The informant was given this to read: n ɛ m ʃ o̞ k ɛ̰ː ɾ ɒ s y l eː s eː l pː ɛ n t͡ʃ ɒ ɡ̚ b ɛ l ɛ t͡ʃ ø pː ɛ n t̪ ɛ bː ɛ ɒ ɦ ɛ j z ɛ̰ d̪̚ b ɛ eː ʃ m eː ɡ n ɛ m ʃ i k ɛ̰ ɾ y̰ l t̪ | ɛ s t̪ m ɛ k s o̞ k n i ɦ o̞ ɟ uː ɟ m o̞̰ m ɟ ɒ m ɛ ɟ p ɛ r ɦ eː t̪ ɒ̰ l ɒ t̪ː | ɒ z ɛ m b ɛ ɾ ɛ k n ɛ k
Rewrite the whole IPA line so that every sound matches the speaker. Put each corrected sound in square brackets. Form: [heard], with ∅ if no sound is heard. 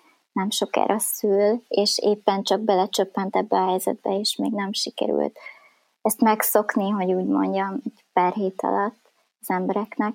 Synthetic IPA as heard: n ɛ m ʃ o̞ k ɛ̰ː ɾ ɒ s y l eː [ʃ] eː [∅] pː ɛ n t͡ʃ ɒ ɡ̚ b ɛ l ɛ t͡ʃ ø pː ɛ n t̪ ɛ bː ɛ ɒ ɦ ɛ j z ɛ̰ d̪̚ b ɛ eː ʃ m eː ɡ n ɛ m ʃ i k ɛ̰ ɾ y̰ l t̪ | ɛ s t̪ m ɛ k s o̞ k n i ɦ o̞ ɟ uː ɟ m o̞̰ [ɲ] ɟ ɒ m ɛ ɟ p ɛ r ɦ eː t̪ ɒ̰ l ɒ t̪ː | ɒ z ɛ m b ɛ ɾ ɛ k n ɛ k